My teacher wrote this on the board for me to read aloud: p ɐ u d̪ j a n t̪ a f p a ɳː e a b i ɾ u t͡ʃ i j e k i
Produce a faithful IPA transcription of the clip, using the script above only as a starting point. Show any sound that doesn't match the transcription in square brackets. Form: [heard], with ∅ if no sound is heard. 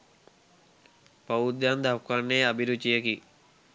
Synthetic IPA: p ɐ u d̪ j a n [d̪] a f [k] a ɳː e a b i ɾ u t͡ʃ i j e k i